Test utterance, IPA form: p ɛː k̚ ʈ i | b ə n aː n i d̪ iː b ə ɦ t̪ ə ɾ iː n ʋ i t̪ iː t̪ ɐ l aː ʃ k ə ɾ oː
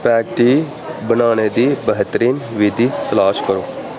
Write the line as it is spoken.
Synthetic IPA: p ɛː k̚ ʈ i | b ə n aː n e d̪ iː b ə ɦ t̪ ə ɾ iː n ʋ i d̪ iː t̪ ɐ l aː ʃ k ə ɾ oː